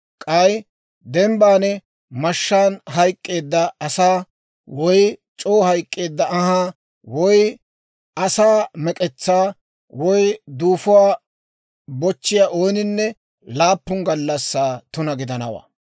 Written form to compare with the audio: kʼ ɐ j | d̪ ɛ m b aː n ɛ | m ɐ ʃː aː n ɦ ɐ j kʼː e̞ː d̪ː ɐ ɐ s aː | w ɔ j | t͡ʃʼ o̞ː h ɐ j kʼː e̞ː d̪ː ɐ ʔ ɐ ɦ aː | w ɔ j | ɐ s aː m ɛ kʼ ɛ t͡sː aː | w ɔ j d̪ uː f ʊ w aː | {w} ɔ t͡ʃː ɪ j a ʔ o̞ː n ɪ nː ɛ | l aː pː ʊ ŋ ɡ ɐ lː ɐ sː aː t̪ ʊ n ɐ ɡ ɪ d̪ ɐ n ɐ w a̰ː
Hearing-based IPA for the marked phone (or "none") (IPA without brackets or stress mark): b